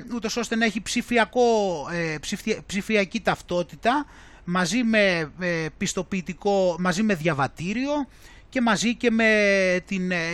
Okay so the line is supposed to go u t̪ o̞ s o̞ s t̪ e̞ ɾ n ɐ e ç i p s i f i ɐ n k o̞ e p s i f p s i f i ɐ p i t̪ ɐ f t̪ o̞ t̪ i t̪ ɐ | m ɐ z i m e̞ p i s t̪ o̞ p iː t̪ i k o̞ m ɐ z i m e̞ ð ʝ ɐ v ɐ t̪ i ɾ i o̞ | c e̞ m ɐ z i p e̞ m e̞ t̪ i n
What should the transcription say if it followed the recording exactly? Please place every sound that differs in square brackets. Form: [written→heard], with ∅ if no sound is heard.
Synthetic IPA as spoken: u t̪ o̞ s o̞ s t̪ e̞ [ɾ→∅] n ɐ e ç i p s i f i ɐ [n→∅] k o̞ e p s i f p s i f i ɐ [p→c] i t̪ ɐ f t̪ o̞ t̪ i t̪ ɐ | m ɐ z i m e̞ p i s t̪ o̞ p iː t̪ i k o̞ m ɐ z i m e̞ ð ʝ ɐ v ɐ t̪ i ɾ i o̞ | c e̞ m ɐ z i [p→c] e̞ m e̞ t̪ i n